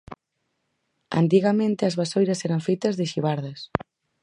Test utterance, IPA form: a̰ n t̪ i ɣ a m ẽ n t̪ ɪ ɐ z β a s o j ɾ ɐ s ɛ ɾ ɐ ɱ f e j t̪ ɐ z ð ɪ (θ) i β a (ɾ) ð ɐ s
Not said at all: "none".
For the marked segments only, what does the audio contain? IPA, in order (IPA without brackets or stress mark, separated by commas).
ʃ, ɾ